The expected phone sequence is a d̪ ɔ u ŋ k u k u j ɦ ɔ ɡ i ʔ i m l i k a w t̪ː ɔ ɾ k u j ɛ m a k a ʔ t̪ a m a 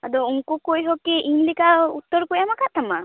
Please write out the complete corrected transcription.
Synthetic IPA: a d̪ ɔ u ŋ k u k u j ɦ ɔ k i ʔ i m l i k a u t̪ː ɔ ɾ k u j a m a k a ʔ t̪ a m a